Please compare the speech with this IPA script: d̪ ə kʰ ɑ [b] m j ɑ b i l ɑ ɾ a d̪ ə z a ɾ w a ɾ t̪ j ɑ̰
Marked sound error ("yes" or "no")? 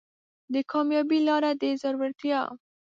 yes